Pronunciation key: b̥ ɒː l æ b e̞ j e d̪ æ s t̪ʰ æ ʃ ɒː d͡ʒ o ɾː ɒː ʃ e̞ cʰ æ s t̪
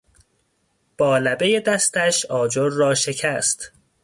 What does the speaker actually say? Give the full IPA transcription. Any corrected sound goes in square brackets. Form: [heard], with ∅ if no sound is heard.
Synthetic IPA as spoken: b̥ ɒː l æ b e̞ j e d̪ æ s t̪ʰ æ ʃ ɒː d͡ʒ o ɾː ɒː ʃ e̞ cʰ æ s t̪